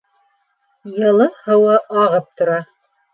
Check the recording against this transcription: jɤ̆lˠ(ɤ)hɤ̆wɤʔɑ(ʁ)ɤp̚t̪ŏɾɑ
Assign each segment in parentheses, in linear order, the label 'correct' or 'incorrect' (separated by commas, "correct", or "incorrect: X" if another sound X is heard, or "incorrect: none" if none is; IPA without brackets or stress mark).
correct, correct